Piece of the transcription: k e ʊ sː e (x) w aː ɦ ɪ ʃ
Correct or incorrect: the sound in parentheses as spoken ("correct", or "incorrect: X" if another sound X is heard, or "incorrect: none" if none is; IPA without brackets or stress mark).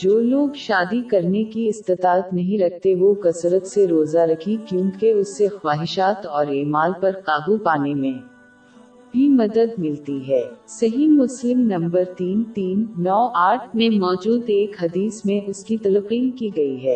correct